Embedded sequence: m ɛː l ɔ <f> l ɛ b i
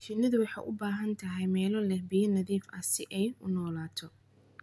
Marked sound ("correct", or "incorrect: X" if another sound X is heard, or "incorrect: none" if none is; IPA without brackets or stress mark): incorrect: none